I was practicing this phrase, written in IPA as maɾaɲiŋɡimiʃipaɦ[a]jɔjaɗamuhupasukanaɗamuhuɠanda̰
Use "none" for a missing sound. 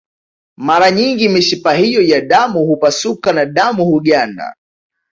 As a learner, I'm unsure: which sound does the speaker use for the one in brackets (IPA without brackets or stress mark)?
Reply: i